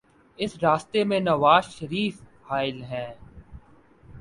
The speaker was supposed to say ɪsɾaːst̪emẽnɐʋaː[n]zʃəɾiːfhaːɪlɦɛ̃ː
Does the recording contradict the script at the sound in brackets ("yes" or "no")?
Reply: yes